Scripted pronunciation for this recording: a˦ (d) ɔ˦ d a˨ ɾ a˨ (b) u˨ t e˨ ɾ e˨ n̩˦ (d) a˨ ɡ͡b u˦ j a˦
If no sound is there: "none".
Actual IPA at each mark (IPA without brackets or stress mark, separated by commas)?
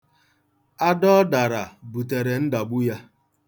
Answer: d, b, d